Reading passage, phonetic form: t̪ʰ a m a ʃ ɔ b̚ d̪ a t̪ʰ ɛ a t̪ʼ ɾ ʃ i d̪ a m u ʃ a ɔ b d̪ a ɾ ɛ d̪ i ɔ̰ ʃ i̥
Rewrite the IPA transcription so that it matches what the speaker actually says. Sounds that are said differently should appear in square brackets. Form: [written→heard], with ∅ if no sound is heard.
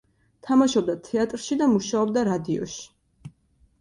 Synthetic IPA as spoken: t̪ʰ a m a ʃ ɔ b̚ d̪ a t̪ʰ ɛ a t̪ʼ ɾ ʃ i d̪ a m u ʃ a ɔ b d̪ a ɾ [ɛ→a] d̪ i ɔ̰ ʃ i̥